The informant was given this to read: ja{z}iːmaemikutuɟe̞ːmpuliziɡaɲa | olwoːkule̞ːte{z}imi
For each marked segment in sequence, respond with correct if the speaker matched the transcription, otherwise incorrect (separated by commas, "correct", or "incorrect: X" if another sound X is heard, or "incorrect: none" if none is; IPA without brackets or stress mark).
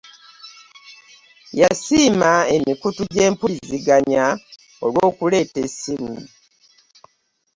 incorrect: s, incorrect: s